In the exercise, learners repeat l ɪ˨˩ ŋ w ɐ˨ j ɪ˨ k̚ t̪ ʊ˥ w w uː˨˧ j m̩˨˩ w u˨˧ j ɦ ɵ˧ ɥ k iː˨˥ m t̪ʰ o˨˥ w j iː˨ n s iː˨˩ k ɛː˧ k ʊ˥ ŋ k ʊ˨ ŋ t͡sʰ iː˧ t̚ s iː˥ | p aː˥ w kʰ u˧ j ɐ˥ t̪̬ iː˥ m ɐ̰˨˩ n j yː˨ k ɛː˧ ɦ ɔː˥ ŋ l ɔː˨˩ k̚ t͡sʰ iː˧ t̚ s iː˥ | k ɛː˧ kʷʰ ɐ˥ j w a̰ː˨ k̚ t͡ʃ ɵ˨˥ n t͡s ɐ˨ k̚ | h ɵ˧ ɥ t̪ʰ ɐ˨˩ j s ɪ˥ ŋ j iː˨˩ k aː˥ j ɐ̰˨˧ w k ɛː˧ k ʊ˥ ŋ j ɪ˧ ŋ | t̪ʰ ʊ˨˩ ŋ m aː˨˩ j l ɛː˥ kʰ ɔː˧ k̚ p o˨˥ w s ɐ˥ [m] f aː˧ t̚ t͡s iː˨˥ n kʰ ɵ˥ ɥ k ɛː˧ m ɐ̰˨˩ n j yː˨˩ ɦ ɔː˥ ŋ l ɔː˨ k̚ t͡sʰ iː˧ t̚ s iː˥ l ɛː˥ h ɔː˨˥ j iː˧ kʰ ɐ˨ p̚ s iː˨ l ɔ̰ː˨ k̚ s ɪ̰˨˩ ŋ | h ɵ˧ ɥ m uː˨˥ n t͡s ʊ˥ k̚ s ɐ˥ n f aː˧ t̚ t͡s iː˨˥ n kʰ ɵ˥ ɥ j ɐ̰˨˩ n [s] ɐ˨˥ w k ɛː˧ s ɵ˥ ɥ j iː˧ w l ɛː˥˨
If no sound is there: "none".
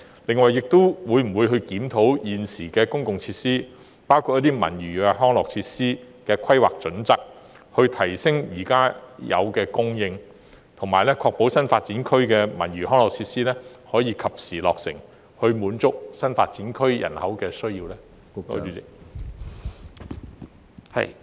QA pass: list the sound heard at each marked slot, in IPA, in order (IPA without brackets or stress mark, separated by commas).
n, h